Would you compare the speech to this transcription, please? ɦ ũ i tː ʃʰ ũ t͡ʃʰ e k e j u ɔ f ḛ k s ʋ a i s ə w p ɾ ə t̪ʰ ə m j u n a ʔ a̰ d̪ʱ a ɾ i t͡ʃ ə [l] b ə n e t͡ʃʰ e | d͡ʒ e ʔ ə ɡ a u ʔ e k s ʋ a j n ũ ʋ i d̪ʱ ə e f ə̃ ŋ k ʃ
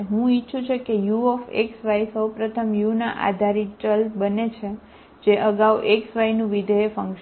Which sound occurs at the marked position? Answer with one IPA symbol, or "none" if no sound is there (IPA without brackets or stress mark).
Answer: l